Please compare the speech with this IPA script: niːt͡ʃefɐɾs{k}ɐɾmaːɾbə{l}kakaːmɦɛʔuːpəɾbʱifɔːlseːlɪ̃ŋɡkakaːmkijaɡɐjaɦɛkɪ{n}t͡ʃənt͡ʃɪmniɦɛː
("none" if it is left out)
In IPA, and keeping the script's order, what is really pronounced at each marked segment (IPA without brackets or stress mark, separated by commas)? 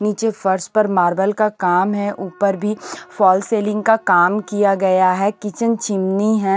p, l, none